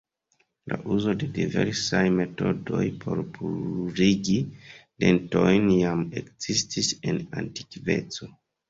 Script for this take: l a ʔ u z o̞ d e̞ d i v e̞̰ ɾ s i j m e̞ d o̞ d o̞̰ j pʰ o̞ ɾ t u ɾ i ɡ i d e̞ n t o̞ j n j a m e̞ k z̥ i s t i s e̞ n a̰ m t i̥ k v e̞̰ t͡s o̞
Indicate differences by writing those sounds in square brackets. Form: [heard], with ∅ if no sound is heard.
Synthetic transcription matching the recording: l a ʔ u z o̞ d e̞ d i v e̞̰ ɾ s [a] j m e̞ [t] o̞ d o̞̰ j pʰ o̞ ɾ [p] u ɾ i ɡ i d e̞ n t o̞ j n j a m e̞ k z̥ i s t i s e̞ n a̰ [n] t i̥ k v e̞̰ t͡s o̞